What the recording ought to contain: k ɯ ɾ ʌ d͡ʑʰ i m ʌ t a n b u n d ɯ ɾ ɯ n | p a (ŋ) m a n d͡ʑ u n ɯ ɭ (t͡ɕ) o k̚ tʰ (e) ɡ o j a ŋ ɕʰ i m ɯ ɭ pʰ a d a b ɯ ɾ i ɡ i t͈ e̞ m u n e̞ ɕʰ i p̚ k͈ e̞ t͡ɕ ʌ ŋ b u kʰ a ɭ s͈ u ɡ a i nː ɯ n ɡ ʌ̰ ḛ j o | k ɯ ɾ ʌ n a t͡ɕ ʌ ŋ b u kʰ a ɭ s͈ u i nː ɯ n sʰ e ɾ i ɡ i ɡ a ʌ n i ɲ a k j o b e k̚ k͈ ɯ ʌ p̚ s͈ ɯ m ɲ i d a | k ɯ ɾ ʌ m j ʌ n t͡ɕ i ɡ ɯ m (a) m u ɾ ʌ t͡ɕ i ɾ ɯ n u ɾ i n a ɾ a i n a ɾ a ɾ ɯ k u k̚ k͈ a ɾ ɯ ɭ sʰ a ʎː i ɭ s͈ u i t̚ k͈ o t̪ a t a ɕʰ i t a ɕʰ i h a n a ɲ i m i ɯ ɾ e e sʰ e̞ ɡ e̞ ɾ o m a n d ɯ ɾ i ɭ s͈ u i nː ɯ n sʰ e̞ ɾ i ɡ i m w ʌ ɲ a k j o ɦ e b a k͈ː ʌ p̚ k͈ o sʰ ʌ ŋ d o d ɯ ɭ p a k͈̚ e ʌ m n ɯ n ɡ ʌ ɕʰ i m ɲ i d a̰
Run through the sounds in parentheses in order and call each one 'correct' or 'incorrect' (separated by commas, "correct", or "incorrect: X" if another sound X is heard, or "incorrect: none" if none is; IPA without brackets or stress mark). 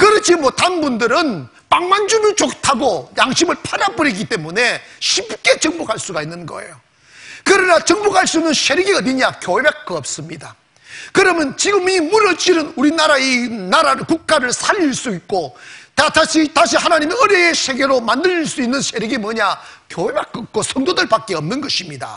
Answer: correct, correct, incorrect: a, incorrect: i